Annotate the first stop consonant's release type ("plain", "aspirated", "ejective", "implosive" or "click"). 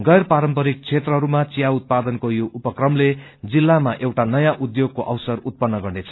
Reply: plain